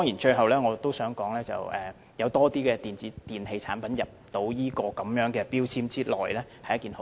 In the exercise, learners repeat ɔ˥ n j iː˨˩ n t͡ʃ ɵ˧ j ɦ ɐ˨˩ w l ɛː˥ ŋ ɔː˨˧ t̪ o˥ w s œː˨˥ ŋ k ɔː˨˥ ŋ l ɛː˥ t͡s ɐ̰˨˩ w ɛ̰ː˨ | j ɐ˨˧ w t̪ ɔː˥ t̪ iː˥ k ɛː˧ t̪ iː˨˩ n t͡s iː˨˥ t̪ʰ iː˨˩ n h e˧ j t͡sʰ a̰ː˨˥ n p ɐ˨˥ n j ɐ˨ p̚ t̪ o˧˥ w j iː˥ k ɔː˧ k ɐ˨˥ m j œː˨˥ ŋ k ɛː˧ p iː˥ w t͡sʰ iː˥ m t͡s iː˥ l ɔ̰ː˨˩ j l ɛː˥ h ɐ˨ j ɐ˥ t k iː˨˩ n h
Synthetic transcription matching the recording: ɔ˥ ŋ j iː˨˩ n t͡ʃ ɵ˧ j ɦ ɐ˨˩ w l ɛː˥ ŋ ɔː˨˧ t̪ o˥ w s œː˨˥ ŋ k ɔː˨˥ ŋ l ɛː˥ t͡s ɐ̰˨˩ w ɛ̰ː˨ | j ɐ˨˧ w t̪ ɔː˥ t̪ iː˥ k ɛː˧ t̪ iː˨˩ n t͡s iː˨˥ t̪ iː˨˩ n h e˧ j t͡sʰ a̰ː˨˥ n p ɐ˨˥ n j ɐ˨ p̚ t̪ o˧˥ w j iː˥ k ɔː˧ k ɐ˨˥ m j œː˨˥ ŋ k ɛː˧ p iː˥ w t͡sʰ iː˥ m t͡s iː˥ l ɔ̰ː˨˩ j l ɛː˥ h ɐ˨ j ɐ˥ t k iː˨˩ n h